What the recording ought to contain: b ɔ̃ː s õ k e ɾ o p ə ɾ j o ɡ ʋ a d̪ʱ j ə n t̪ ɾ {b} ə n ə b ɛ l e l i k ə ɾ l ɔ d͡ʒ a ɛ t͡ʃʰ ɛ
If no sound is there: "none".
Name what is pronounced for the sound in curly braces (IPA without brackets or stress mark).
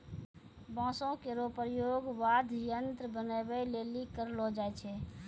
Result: b